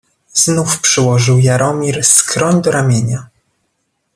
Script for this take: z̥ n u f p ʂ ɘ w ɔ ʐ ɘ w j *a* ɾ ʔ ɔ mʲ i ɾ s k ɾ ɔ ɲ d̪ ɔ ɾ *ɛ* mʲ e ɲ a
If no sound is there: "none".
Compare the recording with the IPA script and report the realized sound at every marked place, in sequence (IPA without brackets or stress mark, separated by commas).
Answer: a, a